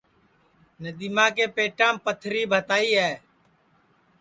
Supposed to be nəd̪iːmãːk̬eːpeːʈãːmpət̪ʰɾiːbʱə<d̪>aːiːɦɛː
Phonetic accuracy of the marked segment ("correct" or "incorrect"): incorrect